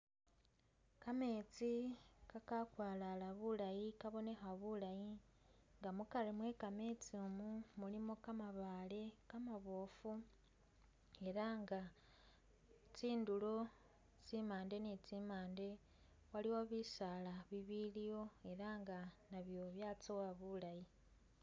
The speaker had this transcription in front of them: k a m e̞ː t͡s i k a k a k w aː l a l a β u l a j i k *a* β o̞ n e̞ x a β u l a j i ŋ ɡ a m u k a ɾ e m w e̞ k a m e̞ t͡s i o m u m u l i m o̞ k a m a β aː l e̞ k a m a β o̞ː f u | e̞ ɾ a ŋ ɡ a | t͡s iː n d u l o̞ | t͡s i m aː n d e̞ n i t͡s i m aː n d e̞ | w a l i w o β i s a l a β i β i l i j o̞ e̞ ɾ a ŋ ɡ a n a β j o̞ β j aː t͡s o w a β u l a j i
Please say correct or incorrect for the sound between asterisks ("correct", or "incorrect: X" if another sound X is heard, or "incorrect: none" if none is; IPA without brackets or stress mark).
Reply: correct